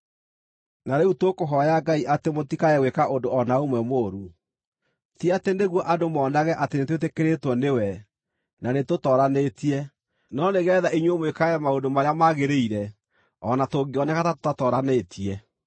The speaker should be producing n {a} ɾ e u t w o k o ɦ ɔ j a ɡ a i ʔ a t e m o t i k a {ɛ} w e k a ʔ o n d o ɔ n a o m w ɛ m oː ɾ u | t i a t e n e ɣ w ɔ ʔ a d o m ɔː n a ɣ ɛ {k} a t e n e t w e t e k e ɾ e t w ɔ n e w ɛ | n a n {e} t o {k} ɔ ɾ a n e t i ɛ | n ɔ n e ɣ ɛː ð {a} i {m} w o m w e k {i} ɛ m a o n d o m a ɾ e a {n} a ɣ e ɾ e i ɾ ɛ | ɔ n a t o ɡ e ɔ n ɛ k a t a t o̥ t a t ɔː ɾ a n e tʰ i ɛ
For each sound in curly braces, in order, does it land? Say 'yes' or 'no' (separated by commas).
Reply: yes, yes, no, yes, no, yes, no, no, no